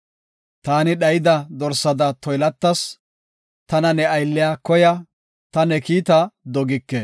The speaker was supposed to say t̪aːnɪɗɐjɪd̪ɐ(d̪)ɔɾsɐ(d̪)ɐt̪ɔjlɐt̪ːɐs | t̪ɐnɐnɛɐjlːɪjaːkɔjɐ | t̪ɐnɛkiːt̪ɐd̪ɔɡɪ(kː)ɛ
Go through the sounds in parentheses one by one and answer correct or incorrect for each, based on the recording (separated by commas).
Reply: correct, correct, correct